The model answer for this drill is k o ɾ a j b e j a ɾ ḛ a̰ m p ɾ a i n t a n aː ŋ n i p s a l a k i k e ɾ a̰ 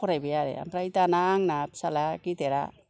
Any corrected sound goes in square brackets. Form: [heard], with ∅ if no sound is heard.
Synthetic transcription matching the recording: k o ɾ a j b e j a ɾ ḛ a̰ m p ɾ a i [∅] t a n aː ŋ n [a] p s a l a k i [t] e ɾ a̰